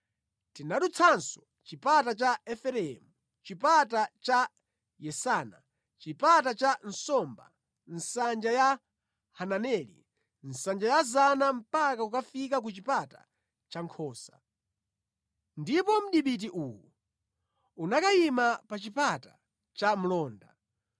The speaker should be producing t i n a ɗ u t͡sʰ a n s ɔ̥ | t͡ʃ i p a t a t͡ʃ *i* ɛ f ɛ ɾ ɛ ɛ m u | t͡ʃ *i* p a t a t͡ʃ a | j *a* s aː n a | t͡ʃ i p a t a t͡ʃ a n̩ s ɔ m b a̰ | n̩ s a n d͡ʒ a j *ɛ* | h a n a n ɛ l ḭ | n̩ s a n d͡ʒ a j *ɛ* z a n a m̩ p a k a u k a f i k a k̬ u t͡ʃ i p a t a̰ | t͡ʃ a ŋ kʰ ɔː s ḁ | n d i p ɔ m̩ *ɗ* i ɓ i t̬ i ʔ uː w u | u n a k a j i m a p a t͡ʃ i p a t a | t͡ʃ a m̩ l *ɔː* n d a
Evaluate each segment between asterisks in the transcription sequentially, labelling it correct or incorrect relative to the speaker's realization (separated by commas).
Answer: incorrect, correct, incorrect, incorrect, incorrect, correct, correct